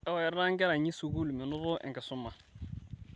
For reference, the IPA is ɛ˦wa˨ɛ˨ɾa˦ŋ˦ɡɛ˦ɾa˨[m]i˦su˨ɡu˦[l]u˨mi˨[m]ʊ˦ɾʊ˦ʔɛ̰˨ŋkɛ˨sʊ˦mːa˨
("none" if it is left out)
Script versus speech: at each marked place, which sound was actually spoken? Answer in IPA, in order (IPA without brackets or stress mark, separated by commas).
ɲ, l, n